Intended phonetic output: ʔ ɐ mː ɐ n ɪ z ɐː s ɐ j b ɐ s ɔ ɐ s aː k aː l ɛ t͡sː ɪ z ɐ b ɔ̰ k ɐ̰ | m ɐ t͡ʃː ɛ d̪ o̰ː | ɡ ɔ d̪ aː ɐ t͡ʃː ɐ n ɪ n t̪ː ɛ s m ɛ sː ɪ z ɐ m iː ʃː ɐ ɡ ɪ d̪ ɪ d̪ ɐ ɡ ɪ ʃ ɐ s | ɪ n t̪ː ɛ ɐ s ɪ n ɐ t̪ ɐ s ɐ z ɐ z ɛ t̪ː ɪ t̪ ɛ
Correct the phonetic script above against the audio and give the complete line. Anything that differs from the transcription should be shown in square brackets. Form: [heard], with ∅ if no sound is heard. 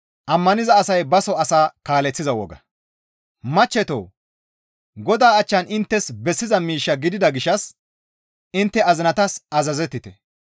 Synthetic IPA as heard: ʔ ɐ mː ɐ n ɪ z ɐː s ɐ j b ɐ s ɔ ɐ s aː k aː l ɛ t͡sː ɪ z ɐ [w] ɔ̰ [ɡ] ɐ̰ | m ɐ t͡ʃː ɛ [t̪] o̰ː | ɡ ɔ d̪ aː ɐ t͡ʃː ɐ n ɪ n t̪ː ɛ s [b] ɛ sː ɪ z ɐ m iː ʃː ɐ ɡ ɪ d̪ ɪ d̪ ɐ ɡ ɪ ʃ ɐ s | ɪ n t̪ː ɛ ɐ [z] ɪ n ɐ t̪ ɐ s ɐ z ɐ z ɛ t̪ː ɪ t̪ ɛ